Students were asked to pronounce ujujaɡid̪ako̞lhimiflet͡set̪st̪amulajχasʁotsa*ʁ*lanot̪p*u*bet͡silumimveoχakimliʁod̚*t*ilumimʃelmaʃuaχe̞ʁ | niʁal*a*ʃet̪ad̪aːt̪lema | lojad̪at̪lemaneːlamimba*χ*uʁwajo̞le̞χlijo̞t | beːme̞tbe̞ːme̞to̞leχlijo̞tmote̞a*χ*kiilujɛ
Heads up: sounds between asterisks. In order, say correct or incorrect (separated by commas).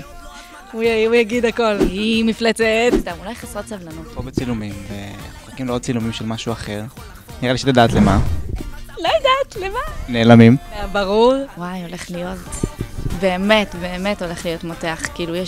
incorrect, incorrect, incorrect, incorrect, incorrect, correct